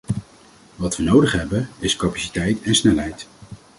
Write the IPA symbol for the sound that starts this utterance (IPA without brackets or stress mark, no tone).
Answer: ʋ